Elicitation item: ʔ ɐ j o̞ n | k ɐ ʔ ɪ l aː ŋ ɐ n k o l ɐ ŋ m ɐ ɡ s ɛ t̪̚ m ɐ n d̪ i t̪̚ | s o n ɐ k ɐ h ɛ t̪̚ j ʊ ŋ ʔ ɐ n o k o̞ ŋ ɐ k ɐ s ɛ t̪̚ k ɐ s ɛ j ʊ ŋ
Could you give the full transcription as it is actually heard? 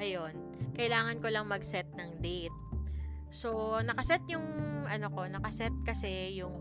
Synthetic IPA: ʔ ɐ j o̞ n | k ɐ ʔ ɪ l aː ŋ ɐ n k o l ɐ ŋ m ɐ ɡ s ɛ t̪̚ n ɐ ŋ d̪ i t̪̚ | s o n ɐ k ɐ s ɛ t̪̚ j ʊ ŋ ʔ ɐ n o k o̞ n ɐ k ɐ s ɛ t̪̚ k ɐ s ɛ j ʊ ŋ